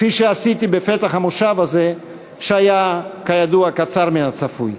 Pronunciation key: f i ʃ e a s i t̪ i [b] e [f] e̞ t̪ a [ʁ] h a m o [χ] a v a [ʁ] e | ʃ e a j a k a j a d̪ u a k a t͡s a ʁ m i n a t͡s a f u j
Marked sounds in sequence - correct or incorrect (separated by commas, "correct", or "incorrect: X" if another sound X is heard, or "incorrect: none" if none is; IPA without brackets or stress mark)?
correct, correct, incorrect: χ, incorrect: ʃ, incorrect: z